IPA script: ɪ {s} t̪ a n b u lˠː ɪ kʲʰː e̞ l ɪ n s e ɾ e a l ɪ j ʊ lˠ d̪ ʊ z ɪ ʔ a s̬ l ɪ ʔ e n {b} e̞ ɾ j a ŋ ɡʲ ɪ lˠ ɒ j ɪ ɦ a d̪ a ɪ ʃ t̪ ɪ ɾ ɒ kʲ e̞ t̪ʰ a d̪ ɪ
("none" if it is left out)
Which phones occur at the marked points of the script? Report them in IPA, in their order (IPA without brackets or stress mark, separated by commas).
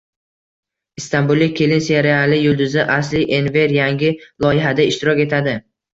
s, v